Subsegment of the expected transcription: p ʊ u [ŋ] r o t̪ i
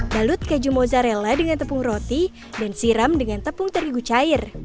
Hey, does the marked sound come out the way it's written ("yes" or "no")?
yes